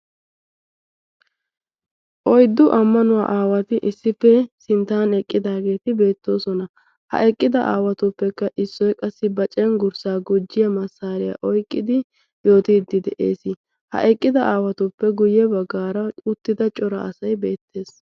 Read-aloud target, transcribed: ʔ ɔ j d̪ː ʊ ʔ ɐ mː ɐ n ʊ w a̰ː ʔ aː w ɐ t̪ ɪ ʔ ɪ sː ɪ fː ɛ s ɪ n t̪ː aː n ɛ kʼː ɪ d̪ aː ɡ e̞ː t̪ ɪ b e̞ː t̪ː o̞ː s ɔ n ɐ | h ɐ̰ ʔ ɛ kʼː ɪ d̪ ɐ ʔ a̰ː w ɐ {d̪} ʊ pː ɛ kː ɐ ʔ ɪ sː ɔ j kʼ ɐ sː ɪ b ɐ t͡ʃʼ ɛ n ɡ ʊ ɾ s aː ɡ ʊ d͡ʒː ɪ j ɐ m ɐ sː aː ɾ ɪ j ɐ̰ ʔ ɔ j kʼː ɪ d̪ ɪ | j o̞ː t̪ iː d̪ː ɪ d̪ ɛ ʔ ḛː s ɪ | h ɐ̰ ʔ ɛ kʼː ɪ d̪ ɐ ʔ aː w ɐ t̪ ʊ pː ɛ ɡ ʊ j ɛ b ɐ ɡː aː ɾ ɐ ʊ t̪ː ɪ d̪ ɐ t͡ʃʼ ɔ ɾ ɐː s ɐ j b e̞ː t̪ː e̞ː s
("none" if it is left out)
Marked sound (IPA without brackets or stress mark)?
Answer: t̪